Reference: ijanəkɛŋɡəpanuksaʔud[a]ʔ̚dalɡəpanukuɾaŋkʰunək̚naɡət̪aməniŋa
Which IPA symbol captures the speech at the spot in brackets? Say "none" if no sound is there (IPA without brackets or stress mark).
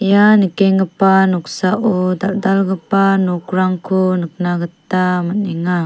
a